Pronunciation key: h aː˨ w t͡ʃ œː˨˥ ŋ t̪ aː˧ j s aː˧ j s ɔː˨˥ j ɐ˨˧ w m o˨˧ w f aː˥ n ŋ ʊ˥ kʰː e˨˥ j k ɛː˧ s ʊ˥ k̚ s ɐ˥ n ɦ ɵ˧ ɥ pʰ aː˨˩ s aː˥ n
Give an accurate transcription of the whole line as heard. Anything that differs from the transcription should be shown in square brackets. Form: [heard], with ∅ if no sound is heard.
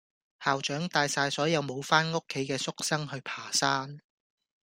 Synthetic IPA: h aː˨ w t͡ʃ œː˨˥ ŋ t̪ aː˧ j s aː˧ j s ɔː˨˥ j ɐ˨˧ w m o˨˧ w f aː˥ n ŋ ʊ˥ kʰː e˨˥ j k ɛː˧ s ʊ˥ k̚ s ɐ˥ [ŋ] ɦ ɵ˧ ɥ pʰ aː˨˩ s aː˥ n